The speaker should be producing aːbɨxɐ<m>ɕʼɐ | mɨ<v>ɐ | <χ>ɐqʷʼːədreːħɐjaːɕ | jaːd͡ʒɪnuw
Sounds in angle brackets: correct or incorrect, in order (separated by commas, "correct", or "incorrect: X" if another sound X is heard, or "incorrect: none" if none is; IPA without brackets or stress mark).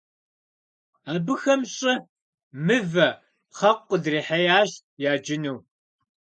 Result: correct, correct, correct